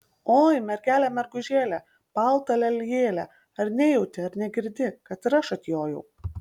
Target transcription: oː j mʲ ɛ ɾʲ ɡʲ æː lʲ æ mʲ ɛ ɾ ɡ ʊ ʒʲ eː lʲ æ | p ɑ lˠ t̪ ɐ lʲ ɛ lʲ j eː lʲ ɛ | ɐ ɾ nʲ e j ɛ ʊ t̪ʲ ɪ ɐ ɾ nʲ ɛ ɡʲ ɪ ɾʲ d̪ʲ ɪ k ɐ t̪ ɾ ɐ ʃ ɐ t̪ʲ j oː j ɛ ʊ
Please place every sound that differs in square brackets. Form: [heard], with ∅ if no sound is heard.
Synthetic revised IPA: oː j mʲ ɛ ɾʲ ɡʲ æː lʲ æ mʲ ɛ ɾ ɡ ʊ ʒʲ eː lʲ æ | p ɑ lˠ t̪ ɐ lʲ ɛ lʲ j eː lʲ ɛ | ɐ ɾ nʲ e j ɛ ʊ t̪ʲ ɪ ɐ ɾ nʲ ɛ ɡʲ ɪ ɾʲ d̪ʲ ɪ k ɐ t̪ ɾ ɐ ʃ ɐ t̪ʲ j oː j ɛ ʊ

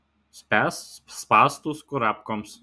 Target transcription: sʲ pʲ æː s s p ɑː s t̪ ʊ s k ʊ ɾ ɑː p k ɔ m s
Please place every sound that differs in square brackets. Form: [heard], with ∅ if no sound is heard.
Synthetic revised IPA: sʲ pʲ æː s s p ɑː s t̪ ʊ s k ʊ ɾ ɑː p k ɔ m s

